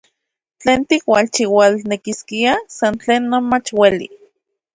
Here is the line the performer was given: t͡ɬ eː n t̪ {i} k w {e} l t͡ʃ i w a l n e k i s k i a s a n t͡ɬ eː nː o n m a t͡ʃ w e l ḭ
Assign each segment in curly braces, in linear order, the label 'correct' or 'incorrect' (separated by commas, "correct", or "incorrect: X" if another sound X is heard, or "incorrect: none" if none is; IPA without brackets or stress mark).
correct, incorrect: a